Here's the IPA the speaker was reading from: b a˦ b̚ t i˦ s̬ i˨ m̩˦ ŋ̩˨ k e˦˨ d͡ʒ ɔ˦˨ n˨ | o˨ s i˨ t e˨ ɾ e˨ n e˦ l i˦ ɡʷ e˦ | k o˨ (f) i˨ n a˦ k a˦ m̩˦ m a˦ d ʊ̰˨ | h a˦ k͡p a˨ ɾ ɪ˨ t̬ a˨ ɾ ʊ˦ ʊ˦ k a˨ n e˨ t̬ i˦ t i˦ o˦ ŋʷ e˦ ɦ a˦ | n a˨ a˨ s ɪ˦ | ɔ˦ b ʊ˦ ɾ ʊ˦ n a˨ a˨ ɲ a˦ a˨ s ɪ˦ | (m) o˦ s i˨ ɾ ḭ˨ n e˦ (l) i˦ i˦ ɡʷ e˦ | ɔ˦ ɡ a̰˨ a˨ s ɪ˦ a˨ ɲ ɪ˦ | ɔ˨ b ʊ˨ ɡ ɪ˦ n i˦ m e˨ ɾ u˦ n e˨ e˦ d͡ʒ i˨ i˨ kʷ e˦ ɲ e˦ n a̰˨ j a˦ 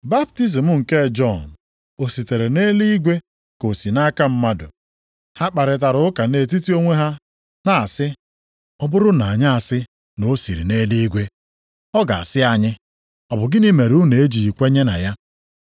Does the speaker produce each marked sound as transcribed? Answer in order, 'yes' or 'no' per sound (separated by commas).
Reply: no, no, yes